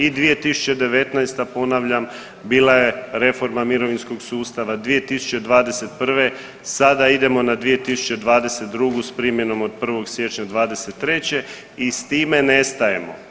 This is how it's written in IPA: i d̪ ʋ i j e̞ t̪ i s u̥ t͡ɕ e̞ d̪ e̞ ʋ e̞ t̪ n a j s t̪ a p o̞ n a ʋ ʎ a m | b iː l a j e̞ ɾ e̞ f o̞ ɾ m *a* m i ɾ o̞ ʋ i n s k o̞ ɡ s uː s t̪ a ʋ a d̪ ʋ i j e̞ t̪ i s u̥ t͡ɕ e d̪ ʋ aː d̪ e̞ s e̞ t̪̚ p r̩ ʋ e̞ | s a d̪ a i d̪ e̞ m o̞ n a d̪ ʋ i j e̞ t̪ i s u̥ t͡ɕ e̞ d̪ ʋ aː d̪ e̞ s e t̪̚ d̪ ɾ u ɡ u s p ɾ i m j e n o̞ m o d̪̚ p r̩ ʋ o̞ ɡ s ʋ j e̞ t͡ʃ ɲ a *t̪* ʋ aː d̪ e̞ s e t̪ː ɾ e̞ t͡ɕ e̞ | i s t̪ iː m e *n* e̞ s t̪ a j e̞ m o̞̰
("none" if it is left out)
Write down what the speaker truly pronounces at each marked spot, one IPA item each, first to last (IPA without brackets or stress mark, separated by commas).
a, d̪, n